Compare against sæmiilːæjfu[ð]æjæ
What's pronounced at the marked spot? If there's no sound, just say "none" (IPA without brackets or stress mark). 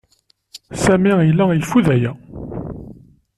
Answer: ð